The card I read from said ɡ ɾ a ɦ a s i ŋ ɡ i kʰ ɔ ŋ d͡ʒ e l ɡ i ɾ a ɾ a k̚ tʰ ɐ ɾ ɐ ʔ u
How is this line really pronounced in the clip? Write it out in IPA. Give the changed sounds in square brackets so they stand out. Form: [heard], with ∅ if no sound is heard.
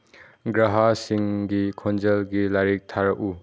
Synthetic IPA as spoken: ɡ ɾ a ɦ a s i ŋ ɡ i kʰ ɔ [n] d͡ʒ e l ɡ i [l] a ɾ [i] k̚ tʰ [a] ɾ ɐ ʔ u